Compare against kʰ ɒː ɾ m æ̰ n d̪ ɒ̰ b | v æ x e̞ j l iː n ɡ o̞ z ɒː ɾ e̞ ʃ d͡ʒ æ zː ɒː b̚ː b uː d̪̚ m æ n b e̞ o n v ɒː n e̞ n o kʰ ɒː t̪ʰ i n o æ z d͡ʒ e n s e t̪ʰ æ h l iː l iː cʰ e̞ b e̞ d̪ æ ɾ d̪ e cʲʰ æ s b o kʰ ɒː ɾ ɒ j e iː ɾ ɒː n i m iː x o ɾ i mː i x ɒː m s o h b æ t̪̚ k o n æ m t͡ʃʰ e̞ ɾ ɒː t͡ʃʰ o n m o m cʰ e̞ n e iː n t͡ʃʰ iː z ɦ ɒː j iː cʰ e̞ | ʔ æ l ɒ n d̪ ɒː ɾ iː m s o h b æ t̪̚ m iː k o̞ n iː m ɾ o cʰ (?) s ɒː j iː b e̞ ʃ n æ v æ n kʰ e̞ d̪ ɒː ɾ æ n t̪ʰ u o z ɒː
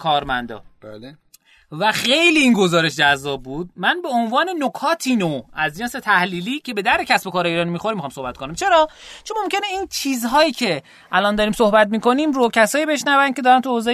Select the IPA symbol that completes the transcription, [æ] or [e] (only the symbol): æ